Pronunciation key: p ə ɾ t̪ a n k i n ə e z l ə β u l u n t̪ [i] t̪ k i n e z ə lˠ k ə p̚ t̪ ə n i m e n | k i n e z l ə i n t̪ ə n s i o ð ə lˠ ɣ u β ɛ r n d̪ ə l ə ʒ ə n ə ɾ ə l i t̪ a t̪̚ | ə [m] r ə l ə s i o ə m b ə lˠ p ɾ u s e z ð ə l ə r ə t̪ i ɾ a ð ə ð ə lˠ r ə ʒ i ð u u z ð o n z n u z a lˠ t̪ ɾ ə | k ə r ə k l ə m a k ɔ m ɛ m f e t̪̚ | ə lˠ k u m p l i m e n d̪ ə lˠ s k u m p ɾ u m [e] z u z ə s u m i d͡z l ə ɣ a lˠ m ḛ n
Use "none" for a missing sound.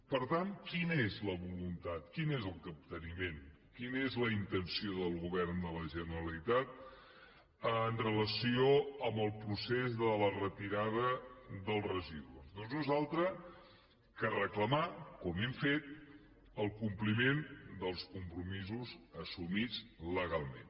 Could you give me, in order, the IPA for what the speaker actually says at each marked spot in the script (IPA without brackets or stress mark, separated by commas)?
a, n, i